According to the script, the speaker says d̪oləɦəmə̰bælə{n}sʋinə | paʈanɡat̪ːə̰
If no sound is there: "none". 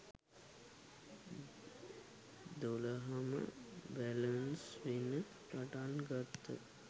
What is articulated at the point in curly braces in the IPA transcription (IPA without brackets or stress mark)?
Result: n